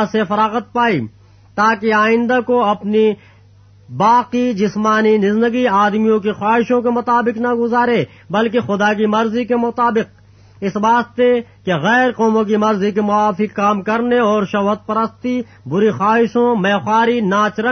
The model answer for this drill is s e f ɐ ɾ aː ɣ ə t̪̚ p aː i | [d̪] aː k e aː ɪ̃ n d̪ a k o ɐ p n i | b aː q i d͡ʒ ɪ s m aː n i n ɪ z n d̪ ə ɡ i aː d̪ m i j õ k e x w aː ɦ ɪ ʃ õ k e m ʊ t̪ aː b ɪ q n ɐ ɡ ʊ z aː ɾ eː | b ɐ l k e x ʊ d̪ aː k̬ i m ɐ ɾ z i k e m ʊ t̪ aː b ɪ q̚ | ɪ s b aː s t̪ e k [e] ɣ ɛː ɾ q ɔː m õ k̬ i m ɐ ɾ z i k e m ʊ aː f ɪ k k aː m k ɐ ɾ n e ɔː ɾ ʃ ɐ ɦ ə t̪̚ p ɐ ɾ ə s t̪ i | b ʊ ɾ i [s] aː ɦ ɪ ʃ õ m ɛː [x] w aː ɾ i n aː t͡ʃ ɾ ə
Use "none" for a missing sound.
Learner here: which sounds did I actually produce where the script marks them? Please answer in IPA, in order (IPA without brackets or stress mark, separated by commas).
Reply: t̪, e, x, x